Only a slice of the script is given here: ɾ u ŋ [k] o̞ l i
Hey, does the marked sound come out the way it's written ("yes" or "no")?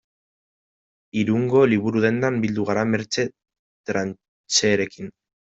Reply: no